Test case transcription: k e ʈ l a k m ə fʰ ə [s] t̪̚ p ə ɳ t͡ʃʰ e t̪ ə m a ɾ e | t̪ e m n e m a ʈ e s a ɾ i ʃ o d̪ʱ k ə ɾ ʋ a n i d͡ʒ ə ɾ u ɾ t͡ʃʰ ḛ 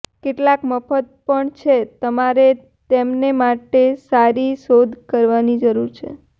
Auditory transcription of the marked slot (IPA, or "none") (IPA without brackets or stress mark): none